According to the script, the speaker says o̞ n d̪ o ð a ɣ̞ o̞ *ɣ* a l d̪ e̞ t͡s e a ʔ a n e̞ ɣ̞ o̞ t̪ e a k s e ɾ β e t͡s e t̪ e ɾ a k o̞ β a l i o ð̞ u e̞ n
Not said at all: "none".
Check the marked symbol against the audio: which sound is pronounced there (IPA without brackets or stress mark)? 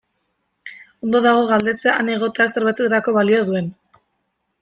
ɣ